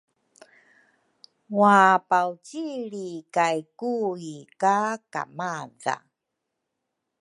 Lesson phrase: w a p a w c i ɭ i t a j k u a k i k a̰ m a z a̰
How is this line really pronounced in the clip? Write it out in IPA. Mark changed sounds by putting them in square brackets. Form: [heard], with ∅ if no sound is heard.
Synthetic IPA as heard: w a p a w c i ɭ i [k] a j k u [i] k [a] k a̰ m a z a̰